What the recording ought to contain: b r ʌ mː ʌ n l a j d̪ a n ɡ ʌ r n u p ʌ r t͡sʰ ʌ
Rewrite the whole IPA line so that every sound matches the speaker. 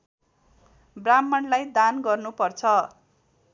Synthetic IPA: b r a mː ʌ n l a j d̪ a n ɡ ʌ r n u p ʌ r t͡sʰ ʌ